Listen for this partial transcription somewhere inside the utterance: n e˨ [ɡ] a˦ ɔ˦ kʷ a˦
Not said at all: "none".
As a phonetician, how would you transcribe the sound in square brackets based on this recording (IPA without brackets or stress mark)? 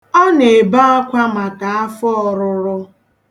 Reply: b